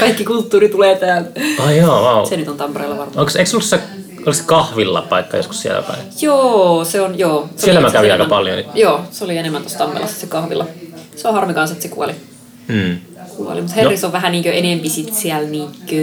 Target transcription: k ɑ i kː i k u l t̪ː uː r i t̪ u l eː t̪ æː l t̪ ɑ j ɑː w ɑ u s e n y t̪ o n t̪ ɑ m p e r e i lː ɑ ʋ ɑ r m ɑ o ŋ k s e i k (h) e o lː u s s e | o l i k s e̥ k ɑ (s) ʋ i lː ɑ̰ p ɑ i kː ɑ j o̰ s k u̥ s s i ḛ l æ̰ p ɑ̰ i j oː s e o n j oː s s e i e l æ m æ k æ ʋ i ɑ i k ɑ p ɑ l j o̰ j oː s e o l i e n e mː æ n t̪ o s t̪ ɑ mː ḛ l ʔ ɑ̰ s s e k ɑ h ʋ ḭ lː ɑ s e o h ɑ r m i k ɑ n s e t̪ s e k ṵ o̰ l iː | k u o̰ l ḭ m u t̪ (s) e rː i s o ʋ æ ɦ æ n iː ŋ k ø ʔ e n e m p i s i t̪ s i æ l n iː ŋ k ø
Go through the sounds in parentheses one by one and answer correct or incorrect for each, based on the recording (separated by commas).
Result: incorrect, incorrect, incorrect